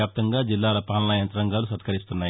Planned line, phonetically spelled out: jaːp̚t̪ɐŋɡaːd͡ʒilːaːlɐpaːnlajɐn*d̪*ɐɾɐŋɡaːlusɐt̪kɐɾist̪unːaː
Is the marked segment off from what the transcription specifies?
yes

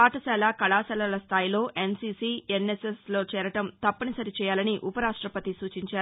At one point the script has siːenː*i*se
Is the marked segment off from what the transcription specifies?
yes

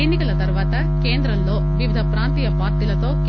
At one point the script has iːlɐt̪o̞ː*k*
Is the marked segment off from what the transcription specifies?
no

